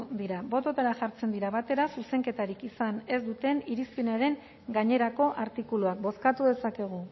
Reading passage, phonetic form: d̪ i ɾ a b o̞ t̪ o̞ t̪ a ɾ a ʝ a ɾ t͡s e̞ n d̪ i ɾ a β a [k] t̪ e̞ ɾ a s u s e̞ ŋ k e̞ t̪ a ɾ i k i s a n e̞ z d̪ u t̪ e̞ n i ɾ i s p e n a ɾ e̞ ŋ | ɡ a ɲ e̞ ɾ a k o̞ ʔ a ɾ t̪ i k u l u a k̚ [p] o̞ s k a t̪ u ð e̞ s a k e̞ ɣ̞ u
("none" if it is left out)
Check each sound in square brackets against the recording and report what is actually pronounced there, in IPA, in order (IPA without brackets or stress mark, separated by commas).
none, b